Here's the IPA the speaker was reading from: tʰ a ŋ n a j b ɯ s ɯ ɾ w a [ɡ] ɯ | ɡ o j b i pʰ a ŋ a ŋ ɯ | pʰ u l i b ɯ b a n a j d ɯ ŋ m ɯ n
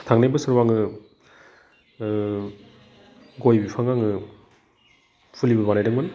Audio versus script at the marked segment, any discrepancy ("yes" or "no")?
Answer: yes